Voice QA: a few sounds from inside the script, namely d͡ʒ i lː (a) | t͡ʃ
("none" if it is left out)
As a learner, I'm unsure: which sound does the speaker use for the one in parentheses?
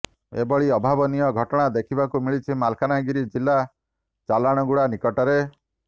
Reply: a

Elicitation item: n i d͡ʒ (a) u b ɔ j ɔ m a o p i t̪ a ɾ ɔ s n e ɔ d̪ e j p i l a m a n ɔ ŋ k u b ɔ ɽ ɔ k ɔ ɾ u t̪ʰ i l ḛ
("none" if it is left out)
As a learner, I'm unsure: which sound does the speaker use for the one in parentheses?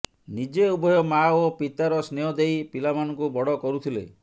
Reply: e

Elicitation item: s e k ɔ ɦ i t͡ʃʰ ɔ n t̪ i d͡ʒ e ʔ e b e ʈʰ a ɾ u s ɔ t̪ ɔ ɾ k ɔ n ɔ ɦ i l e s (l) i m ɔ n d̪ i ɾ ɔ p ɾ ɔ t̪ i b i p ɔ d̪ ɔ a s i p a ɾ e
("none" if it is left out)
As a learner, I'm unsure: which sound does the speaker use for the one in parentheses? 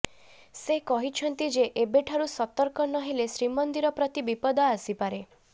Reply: ɾ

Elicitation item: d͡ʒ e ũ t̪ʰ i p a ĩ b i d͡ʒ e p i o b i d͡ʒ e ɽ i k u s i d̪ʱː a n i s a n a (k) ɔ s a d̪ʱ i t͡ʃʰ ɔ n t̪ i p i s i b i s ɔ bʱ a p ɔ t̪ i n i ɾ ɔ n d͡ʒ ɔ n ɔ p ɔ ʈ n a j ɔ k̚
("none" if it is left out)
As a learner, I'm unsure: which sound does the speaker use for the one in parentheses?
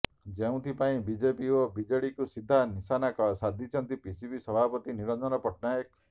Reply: k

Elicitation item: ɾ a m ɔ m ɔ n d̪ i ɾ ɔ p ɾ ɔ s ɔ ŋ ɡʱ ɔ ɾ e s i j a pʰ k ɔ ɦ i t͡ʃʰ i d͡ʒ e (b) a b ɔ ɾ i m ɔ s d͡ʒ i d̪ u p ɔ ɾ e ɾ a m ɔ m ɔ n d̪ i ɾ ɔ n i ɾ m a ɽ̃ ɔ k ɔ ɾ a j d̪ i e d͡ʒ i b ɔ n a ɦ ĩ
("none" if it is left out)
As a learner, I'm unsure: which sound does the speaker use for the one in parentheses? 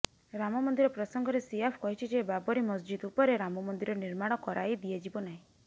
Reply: b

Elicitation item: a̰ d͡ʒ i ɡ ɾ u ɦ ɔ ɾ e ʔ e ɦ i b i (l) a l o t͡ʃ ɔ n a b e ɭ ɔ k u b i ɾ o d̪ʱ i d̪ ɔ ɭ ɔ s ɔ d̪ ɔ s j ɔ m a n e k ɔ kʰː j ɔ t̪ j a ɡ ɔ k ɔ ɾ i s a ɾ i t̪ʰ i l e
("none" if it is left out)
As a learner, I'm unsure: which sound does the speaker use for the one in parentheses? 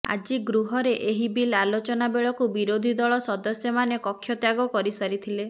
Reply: l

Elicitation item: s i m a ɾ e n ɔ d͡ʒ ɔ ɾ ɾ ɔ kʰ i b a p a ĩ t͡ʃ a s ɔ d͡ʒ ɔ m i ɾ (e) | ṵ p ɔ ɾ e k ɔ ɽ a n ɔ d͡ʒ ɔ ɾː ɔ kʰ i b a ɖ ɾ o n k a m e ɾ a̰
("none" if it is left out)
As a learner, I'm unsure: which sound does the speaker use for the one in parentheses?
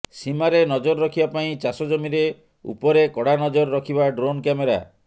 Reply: e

